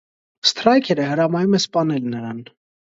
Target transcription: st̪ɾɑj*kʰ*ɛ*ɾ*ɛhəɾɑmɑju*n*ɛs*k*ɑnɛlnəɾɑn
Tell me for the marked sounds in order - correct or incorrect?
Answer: correct, correct, incorrect: m, incorrect: p

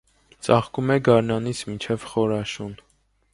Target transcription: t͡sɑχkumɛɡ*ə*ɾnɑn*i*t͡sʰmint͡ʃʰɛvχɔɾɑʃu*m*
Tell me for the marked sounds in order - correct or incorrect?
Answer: incorrect: ɑ, correct, incorrect: n

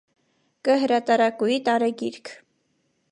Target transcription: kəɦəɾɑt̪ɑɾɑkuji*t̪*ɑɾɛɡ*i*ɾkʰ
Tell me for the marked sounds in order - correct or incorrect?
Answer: correct, correct

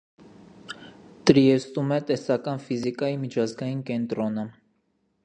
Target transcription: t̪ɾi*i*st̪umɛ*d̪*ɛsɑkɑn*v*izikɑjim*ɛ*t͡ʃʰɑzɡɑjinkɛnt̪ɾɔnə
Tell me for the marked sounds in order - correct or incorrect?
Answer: incorrect: ɛ, incorrect: t̪, incorrect: f, incorrect: i

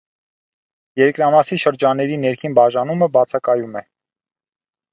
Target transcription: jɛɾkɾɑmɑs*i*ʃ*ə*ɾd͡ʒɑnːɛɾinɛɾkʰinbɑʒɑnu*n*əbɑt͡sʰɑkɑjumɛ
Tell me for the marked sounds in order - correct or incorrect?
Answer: correct, correct, incorrect: m

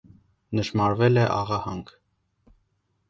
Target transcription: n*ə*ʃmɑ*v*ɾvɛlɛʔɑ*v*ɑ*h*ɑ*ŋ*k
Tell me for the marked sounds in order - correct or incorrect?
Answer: correct, incorrect: none, incorrect: ʁ, correct, correct

